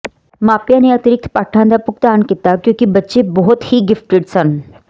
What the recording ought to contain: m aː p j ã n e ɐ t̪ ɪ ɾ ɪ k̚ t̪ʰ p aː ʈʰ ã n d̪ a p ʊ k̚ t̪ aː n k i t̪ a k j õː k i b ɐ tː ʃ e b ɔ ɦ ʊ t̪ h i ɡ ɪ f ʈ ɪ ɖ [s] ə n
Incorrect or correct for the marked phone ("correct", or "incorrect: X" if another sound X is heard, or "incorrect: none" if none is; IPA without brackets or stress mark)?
correct